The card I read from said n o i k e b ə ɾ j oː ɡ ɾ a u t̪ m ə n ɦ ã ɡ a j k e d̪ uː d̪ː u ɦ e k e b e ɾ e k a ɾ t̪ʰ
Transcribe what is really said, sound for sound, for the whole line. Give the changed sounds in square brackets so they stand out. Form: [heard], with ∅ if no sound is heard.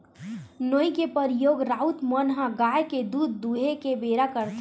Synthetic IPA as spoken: n o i k e [p] ə ɾ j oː ɡ ɾ a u t̪ m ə n ɦ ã ɡ a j k e d̪ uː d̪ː u ɦ e k e b e ɾ [a] k [ə] ɾ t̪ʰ